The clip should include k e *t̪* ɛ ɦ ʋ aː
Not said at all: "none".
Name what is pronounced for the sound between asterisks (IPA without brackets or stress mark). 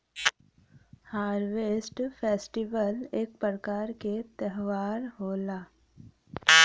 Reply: t̪